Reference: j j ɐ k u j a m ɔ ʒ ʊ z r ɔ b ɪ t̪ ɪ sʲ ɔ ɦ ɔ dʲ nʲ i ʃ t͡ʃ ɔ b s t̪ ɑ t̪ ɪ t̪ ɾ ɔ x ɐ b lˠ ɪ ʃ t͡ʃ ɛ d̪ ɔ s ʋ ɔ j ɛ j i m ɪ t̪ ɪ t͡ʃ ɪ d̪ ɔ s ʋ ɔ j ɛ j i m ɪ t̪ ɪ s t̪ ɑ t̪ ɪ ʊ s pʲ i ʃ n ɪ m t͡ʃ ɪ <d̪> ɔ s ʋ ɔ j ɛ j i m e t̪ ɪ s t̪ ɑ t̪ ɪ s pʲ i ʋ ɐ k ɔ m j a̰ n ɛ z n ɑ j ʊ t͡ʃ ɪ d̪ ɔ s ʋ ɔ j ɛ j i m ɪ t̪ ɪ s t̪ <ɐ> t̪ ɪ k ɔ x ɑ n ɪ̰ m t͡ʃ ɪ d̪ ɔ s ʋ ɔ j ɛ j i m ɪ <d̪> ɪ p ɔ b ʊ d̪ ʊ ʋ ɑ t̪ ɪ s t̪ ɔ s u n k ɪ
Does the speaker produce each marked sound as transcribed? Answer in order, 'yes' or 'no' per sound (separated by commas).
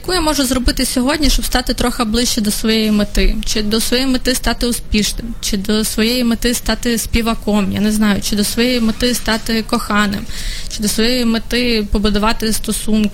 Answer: yes, no, no